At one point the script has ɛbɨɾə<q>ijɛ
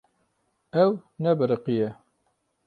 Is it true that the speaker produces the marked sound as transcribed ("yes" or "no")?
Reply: yes